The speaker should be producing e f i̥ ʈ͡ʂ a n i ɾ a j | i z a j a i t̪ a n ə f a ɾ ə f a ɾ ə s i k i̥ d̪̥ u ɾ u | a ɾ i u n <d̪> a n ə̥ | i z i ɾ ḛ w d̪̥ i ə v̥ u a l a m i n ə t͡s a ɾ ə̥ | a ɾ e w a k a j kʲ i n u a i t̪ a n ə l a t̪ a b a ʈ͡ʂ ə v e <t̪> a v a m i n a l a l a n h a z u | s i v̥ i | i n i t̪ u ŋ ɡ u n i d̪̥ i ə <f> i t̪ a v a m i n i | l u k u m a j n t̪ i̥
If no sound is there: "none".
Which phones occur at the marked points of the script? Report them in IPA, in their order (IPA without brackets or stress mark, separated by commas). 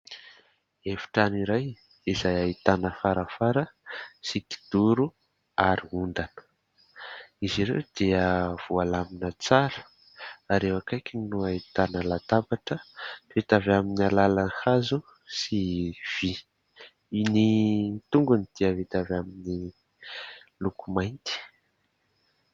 d̪, t̪, v